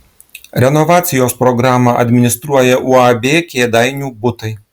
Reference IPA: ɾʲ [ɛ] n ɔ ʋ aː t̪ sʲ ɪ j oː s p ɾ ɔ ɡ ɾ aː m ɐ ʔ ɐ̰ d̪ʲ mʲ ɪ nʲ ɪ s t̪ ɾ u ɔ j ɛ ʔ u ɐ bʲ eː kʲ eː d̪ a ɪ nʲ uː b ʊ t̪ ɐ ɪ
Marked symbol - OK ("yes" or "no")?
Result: yes